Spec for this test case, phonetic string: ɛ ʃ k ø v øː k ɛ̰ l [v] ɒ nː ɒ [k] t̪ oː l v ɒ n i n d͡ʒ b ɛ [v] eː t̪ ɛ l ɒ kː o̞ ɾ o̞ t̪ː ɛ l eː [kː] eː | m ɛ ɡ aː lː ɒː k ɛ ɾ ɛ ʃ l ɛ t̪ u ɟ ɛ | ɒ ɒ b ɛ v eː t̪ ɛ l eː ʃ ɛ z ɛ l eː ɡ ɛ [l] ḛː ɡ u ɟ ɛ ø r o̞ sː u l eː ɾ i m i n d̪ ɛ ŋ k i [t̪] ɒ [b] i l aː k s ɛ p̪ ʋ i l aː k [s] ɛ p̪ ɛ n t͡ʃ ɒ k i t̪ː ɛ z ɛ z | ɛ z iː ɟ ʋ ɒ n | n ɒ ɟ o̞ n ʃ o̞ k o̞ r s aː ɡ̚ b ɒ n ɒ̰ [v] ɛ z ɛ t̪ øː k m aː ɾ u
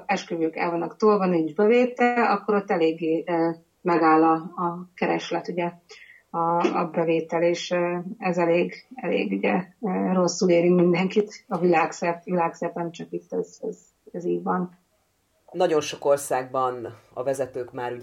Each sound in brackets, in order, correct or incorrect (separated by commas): correct, correct, correct, incorrect, correct, correct, incorrect, correct, correct